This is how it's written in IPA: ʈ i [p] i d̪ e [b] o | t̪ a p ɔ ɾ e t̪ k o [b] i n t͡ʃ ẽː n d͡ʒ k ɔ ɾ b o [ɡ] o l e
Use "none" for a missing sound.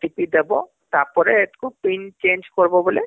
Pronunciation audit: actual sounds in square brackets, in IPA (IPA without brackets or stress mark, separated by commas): p, b, p, b